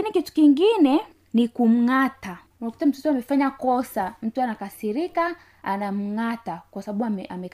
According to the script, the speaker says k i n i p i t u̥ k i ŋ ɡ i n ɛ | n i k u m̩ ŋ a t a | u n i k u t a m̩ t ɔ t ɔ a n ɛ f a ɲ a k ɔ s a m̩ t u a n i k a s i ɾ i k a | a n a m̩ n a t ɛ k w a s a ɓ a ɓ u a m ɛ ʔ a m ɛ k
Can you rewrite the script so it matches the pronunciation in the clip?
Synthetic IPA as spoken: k i n i k i t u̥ k i ŋ ɡ i n ɛ | n i k u m̩ ŋ a t a | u n a k u t a m̩ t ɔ t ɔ a m ɛ f a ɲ a k ɔ s a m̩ t u a n a k a s i ɾ i k a | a n a m̩ ŋ a t a k w a s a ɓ a ɓ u a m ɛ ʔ a m ɛ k